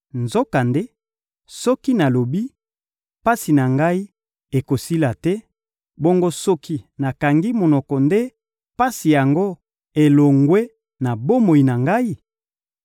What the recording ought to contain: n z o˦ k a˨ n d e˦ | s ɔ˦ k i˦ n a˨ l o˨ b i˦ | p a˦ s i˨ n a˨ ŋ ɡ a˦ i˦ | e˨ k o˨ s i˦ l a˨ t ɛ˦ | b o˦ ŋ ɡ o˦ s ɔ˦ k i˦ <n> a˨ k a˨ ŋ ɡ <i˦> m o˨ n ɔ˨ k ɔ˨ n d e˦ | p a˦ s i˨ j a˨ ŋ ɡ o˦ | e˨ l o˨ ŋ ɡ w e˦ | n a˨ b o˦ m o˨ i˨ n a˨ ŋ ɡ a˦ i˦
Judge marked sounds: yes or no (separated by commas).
yes, yes